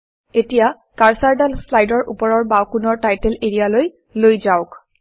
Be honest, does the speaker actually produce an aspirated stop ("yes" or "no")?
no